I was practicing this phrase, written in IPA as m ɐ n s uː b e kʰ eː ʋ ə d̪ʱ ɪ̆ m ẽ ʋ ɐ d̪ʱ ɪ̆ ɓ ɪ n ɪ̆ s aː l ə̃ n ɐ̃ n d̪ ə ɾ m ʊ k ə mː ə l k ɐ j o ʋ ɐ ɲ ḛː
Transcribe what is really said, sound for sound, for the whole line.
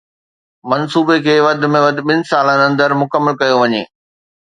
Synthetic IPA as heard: m ɐ n s uː b e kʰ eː ʋ ɐ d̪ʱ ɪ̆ m ẽ ʋ ɐ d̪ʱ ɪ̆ ɓ ɪ n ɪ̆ s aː l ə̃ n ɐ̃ n d̪ ə ɾ m ʊ k ə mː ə l k ɐ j o ʋ ɐ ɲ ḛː